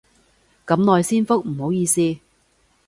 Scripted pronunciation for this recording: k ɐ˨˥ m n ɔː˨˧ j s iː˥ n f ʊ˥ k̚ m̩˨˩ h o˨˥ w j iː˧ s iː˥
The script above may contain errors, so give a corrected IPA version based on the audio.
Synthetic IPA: k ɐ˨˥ m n ɔː˨˧ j s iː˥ n f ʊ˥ k̚ m̩˨˩ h o˨˥ w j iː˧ s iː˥